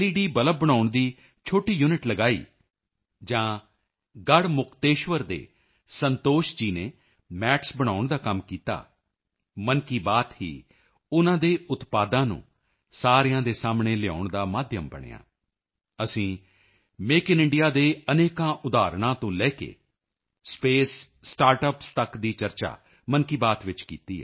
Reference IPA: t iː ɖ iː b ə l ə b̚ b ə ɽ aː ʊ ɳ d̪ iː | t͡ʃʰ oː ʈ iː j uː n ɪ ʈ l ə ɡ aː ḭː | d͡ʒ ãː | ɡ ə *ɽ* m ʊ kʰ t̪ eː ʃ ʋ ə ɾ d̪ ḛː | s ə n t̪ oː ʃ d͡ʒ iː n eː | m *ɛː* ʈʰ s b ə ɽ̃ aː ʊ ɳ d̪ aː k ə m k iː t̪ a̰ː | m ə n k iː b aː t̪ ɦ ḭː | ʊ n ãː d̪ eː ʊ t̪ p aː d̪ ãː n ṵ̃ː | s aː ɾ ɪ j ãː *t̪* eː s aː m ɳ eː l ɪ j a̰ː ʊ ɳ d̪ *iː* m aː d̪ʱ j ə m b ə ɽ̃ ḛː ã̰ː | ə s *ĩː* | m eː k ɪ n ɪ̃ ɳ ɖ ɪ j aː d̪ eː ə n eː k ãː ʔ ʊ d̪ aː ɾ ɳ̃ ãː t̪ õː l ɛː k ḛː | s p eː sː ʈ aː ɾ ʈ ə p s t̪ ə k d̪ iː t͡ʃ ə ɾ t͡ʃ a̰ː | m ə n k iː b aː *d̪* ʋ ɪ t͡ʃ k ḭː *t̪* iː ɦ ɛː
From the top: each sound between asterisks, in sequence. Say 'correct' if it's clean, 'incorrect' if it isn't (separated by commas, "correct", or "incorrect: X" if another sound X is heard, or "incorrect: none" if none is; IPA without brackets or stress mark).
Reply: correct, correct, incorrect: d̪, incorrect: aː, correct, incorrect: t̪, correct